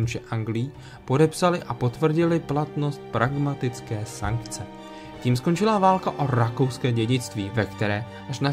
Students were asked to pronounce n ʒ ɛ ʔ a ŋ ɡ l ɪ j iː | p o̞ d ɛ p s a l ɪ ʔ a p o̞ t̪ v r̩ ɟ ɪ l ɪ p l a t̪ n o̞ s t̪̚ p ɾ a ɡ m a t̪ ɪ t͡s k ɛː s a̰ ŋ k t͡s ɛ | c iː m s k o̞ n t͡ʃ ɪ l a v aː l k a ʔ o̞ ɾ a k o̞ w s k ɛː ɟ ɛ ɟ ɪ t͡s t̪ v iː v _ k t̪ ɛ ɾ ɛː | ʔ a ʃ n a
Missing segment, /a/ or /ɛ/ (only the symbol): ɛ